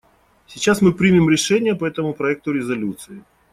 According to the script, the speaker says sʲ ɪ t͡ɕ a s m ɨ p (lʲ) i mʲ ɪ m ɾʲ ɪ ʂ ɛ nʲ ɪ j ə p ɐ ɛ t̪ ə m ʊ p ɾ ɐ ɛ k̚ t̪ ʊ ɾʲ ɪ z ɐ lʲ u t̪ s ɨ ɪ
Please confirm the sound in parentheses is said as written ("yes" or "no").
no